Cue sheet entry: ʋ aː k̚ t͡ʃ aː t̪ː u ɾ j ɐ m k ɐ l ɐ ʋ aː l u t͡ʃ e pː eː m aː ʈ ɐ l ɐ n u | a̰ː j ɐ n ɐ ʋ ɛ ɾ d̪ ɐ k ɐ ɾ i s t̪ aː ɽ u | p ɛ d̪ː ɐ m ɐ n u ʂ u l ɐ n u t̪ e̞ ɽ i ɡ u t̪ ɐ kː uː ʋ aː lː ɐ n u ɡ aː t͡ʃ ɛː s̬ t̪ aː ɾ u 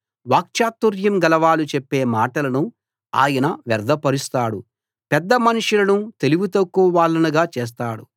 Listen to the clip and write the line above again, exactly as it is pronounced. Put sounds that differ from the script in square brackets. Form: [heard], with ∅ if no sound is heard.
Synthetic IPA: ʋ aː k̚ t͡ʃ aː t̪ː u ɾ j ɐ m [ɡ] ɐ l ɐ ʋ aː l u t͡ʃ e pː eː m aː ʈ ɐ l ɐ n u | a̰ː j ɐ n ɐ ʋ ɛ ɾ d̪ ɐ [p] ɐ ɾ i s t̪ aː ɽ u | p ɛ d̪ː ɐ m ɐ n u ʂ u l ɐ n u t̪ e̞ [l] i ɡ u t̪ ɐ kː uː ʋ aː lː ɐ n u ɡ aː t͡ʃ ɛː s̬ t̪ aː [ɽ] u

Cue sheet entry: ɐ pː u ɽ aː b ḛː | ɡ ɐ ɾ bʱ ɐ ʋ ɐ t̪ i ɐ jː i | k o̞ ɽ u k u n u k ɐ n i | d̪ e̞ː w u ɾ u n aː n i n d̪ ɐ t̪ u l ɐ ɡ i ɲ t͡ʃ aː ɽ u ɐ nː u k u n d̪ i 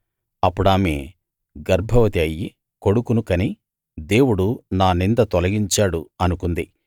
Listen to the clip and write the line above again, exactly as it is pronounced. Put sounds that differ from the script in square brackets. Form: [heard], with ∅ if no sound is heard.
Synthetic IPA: ɐ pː u ɽ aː [m] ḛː | ɡ ɐ ɾ bʱ ɐ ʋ ɐ t̪ i ɐ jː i | k o̞ ɽ u k u n u k ɐ n i | d̪ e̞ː w u [ɽ] u n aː n i n d̪ ɐ t̪ [ɔ] l ɐ ɡ i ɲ t͡ʃ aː ɽ u ɐ [n] u k u n d̪ i

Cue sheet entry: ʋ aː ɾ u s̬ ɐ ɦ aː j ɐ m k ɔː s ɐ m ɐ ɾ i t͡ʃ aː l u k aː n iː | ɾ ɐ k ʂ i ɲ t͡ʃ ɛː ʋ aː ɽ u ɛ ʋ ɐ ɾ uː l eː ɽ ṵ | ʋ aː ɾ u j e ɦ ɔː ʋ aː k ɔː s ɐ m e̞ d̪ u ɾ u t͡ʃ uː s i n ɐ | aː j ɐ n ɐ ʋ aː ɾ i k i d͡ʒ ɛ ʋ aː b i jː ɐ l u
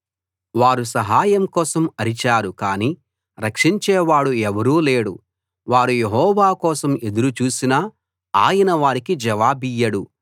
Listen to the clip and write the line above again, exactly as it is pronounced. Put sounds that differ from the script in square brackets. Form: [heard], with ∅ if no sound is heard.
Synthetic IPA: ʋ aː ɾ u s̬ ɐ ɦ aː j ɐ m k ɔː s ɐ m ɐ ɾ i t͡ʃ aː [ɾ] u k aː n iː | ɾ ɐ k ʂ i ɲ t͡ʃ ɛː ʋ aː ɽ u ɛ ʋ ɐ ɾ uː l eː ɽ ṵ | ʋ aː ɾ u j e ɦ ɔː ʋ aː k ɔː s ɐ m e̞ d̪ u ɾ u t͡ʃ uː s i n ɐ | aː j ɐ n ɐ ʋ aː ɾ i k i d͡ʒ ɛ ʋ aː b i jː ɐ [ɽ] u

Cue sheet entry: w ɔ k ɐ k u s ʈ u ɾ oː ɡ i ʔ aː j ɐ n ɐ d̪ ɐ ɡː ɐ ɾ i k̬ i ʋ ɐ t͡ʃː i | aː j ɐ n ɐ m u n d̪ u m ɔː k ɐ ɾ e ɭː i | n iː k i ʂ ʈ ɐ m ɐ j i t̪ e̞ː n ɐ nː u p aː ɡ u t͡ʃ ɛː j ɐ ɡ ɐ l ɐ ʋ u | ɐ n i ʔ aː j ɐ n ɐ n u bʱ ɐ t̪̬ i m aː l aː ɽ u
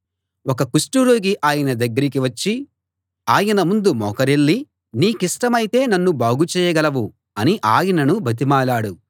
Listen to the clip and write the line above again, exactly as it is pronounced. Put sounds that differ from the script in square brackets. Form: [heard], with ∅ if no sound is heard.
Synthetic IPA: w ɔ k ɐ k u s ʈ u ɾ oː ɡ i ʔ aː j ɐ n ɐ d̪ ɐ ɡː ɐ ɾ i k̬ i ʋ ɐ t͡ʃː i | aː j ɐ n ɐ m u n d̪ u m ɔː k ɐ ɾ e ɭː i | n iː k i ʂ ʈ ɐ m ɐ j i t̪ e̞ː n ɐ nː u [b] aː ɡ u t͡ʃ ɛː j ɐ ɡ ɐ l ɐ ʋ u | ɐ n i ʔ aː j ɐ n ɐ n u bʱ ɐ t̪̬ i m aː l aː ɽ u

